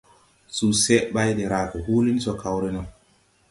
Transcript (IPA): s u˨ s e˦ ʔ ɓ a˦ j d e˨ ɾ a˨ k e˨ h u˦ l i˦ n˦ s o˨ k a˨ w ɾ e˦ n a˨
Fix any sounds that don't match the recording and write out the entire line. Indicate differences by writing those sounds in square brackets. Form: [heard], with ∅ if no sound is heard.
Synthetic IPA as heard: s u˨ s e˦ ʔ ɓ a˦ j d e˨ ɾ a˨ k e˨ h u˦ l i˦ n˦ s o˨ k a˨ w ɾ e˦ n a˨